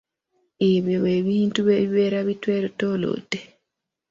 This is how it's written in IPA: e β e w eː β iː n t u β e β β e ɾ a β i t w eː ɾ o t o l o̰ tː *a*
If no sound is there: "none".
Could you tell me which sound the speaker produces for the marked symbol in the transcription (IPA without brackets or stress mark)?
e